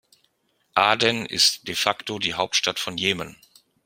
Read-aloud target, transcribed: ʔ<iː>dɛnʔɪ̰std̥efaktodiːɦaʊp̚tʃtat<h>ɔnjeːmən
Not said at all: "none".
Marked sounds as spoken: aː, f

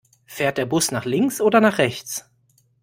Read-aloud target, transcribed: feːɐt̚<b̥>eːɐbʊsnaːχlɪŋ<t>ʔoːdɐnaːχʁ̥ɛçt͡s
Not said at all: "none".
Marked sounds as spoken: d̥, s

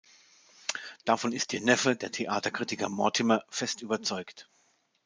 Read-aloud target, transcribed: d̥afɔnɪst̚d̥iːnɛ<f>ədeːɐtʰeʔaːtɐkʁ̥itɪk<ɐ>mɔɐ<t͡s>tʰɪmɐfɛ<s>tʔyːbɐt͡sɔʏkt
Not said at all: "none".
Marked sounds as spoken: f, ɐ, none, s

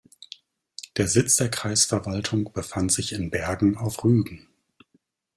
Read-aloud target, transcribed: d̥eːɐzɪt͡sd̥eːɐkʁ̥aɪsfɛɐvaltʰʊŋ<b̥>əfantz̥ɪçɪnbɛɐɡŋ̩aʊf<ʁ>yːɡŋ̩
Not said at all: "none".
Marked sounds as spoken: b̥, ʁ

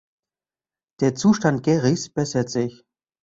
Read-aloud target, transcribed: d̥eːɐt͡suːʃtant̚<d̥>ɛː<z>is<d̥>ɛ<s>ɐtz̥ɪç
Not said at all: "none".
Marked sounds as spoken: ɡ̥, ʁ, b̥, s

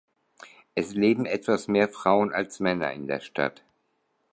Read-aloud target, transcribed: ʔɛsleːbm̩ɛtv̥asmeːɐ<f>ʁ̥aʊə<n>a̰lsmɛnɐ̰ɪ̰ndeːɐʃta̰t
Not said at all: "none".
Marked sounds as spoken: f, n

